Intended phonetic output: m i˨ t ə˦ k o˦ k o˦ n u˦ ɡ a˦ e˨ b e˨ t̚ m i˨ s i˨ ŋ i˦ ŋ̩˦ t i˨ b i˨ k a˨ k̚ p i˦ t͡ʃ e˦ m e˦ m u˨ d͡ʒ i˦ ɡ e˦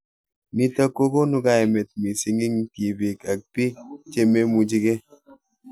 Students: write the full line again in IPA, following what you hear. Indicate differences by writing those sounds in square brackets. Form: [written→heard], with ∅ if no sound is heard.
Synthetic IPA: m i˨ t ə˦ k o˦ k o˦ n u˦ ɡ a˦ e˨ [b→m] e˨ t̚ m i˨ s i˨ ŋ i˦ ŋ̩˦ t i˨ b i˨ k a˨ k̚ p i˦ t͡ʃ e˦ m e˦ m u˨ d͡ʒ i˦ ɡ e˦